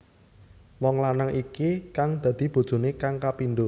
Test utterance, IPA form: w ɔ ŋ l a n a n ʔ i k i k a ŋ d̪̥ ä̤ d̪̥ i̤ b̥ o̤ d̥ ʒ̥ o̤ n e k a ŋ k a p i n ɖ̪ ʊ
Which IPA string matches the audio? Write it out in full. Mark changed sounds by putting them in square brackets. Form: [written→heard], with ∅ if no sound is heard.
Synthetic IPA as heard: w ɔ ŋ l a n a [n→ŋ] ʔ i k i k a ŋ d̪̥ ä̤ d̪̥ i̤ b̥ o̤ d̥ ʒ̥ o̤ n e k a ŋ k a p i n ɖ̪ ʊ